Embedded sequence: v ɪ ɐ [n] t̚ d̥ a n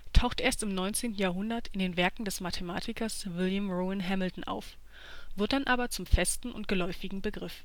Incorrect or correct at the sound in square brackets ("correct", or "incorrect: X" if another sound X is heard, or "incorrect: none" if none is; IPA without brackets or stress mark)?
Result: incorrect: none